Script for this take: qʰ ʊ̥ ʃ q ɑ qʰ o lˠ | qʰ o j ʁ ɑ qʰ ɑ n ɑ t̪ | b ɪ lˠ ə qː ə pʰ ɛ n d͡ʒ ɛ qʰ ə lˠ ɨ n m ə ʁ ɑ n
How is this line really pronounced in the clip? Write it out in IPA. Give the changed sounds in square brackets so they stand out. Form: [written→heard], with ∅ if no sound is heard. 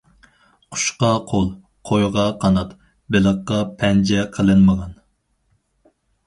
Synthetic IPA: qʰ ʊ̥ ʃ q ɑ qʰ o lˠ | qʰ o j ʁ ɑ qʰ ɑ n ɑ t̪ | b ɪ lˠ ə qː [ə→ɑ] pʰ ɛ n d͡ʒ ɛ qʰ ə lˠ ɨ n m ə ʁ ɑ n